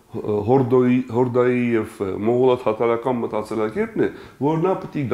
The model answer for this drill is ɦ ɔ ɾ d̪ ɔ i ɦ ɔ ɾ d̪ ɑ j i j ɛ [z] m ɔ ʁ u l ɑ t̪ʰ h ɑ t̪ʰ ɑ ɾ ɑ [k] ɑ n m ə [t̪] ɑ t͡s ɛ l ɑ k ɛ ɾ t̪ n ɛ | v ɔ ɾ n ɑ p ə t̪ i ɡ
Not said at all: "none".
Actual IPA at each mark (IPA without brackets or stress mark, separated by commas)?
v, k, t̪